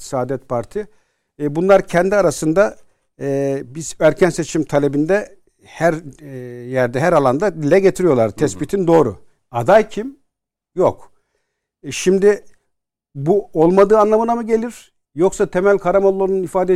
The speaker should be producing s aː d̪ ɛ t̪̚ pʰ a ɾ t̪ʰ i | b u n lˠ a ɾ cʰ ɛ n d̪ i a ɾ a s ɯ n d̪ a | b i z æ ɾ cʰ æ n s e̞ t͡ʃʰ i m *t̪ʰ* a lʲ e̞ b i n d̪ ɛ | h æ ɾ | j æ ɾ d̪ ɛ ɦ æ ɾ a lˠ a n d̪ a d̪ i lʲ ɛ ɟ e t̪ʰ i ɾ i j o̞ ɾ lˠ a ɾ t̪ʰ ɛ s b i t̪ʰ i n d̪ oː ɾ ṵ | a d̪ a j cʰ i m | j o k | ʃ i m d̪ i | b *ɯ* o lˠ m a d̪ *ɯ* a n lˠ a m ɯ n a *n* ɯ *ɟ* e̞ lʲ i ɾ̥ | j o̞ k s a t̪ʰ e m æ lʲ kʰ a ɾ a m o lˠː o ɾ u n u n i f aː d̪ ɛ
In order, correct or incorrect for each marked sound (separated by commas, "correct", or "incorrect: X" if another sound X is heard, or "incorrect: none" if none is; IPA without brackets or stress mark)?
correct, incorrect: u, incorrect: ɯː, incorrect: m, correct